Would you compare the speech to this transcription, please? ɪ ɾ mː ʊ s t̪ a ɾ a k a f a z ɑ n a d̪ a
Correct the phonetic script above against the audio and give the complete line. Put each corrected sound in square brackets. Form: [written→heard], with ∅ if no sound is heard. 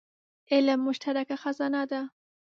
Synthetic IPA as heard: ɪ [ɾ→l] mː ʊ [s→ʃ] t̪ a ɾ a k a [f→x] a z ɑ n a d̪ a